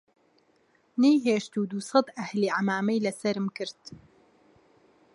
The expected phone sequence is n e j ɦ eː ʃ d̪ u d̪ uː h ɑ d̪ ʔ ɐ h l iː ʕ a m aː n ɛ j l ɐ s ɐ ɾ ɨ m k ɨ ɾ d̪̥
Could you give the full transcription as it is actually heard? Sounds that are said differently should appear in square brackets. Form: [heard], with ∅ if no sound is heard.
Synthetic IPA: n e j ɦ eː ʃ [t̪] u d̪ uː [s] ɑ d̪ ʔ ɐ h l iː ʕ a m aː [m] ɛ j l ɐ s ɐ ɾ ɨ m k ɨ ɾ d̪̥